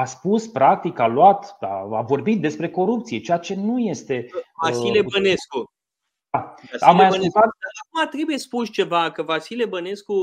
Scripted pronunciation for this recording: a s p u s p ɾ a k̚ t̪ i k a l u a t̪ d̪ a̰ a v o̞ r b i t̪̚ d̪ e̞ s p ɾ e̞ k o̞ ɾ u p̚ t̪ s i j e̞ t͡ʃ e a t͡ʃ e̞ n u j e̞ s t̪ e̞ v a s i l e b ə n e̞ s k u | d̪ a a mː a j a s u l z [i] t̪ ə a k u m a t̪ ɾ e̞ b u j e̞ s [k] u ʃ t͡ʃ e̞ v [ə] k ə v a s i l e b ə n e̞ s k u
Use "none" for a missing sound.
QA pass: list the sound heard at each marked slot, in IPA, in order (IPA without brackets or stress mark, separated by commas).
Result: a, p, a